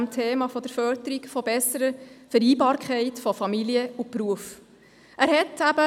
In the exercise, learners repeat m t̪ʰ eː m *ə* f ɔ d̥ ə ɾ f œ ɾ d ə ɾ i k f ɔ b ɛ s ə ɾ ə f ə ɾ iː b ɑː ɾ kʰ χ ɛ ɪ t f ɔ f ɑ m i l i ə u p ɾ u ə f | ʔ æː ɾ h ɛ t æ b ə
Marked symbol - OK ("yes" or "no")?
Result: no